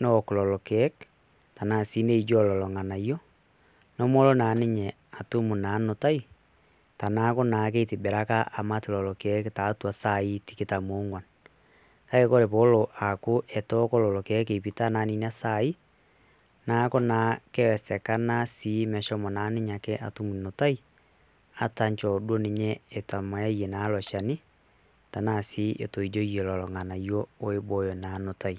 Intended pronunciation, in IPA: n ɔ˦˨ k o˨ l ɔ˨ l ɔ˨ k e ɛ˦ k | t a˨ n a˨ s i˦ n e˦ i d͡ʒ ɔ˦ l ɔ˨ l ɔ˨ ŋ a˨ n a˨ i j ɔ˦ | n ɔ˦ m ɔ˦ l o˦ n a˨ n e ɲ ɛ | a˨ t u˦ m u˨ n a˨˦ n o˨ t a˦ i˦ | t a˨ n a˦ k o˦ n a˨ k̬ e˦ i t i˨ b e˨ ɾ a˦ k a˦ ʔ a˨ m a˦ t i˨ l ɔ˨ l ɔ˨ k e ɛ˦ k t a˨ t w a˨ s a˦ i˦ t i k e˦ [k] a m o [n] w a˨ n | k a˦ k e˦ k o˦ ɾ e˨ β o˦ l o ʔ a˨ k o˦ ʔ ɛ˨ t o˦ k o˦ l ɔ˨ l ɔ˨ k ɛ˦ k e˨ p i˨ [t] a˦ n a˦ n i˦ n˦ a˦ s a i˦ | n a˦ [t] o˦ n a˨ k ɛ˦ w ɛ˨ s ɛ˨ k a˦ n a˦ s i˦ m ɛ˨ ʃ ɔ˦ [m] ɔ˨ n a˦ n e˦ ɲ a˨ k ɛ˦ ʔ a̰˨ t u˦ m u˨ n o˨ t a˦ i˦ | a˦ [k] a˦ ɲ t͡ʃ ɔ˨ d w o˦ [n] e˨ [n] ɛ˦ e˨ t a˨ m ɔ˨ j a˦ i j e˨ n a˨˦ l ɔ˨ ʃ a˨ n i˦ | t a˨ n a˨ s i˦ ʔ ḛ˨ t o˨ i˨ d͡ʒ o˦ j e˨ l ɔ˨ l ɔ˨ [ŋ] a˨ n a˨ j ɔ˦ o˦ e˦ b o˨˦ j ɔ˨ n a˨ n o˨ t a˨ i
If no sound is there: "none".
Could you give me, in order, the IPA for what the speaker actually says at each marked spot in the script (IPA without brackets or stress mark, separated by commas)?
t, ŋ, t, k, m, t, n, ɲ, ŋ